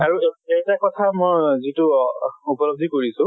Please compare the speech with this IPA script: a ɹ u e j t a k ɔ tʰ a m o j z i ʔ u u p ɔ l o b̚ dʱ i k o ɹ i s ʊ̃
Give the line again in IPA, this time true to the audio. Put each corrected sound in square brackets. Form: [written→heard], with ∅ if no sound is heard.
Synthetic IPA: a ɹ u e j t a k ɔ tʰ a m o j z i [ʔ→t] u u p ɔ l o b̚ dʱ i k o ɹ i s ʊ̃